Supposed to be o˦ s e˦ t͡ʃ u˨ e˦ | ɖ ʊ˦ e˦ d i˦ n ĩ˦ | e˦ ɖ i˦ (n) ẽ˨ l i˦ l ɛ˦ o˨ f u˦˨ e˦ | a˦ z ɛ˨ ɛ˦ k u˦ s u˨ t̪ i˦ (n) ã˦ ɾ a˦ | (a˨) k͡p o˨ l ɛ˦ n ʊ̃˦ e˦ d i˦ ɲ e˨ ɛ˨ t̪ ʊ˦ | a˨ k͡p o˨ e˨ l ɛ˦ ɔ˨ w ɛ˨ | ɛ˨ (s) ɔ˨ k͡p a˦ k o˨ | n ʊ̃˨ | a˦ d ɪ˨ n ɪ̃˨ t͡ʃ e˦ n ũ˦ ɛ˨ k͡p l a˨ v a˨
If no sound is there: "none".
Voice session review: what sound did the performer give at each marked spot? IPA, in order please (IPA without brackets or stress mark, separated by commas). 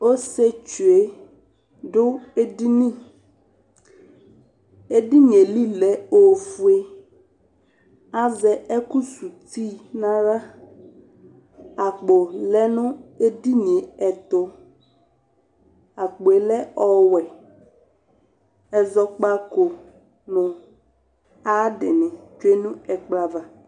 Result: ɲ, n, a˨, z